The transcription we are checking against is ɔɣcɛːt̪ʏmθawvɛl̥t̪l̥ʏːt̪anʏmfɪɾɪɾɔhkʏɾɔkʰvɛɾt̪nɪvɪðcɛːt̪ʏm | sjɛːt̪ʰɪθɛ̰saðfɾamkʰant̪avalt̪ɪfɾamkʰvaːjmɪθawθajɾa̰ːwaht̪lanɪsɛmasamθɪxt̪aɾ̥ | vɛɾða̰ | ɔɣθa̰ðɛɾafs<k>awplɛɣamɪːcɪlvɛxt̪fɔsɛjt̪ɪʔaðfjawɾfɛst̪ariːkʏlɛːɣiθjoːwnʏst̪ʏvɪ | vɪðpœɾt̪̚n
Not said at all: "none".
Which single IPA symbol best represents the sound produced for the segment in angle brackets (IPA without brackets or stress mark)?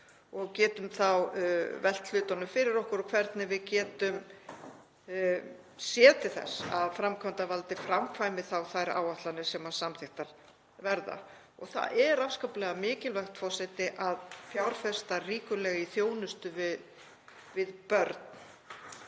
k